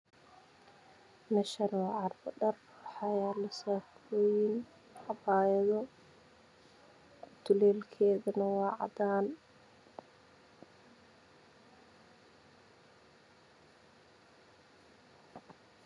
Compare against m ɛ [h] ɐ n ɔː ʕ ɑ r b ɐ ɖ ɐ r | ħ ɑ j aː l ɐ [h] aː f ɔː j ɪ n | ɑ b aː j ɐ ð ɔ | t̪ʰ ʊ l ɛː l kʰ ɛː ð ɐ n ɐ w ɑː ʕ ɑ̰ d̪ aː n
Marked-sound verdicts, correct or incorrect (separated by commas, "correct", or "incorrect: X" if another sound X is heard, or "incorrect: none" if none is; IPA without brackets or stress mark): incorrect: ʃ, incorrect: s